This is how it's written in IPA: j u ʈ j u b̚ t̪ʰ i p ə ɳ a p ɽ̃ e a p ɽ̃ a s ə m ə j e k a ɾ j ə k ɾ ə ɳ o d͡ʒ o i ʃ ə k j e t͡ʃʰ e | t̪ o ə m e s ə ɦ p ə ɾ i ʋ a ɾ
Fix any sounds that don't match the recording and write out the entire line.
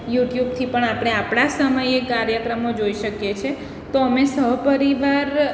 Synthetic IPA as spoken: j u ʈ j u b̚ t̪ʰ i p ə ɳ a p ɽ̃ e a p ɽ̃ a s ə m ə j e k a ɾ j ə k ɾ ə m o d͡ʒ o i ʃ ə k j e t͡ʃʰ e | t̪ o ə m e s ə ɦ p ə ɾ i ʋ a ɾ